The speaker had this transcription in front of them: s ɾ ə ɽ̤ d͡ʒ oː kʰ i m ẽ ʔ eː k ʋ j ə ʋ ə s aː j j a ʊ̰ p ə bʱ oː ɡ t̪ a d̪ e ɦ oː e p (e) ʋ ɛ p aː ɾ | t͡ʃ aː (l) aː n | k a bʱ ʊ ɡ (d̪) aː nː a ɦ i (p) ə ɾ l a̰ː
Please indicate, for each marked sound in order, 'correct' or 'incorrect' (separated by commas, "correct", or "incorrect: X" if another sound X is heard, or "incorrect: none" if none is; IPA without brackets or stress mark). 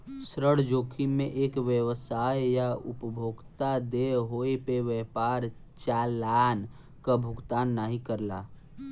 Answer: correct, correct, incorrect: t̪, incorrect: k